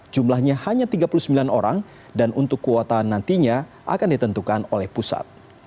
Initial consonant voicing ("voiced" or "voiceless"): voiced